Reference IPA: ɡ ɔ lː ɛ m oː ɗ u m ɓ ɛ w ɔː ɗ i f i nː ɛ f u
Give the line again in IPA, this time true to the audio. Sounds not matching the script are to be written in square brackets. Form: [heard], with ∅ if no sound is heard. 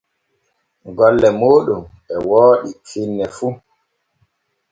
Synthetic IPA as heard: ɡ ɔ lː ɛ m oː ɗ u m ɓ ɛ w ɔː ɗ i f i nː ɛ f u